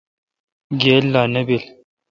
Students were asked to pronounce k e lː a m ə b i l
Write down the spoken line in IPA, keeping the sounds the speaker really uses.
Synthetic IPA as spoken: ɡ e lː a n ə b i l